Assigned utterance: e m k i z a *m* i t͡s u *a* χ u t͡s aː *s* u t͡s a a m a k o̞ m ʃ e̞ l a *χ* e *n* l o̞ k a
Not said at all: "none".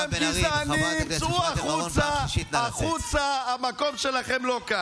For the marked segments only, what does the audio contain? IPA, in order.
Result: n, a, χ, χ, m

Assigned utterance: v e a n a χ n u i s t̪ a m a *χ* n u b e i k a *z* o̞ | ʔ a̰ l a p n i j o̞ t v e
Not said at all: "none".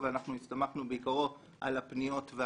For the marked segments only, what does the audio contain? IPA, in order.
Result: χ, ʁ

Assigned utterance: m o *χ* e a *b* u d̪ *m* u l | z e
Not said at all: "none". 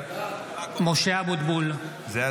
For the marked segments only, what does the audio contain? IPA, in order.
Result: ʃ, b, b

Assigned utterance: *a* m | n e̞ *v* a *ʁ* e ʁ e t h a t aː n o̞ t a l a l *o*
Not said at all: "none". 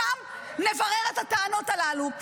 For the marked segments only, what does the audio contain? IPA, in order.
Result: a, v, ʁ, u

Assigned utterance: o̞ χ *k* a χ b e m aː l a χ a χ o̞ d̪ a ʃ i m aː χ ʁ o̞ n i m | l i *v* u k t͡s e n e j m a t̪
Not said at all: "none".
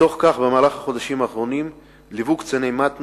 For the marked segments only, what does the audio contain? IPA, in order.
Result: k, v

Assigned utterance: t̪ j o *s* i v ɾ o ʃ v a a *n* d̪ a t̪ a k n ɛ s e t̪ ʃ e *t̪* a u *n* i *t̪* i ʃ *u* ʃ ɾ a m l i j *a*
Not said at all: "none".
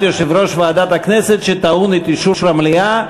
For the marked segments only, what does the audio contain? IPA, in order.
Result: ʃ, none, t̪, n, t̪, u, a

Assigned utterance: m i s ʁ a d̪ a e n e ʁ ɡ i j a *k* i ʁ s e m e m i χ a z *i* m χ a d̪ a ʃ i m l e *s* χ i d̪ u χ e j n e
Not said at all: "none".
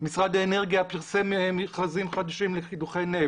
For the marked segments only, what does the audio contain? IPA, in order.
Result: p, i, none

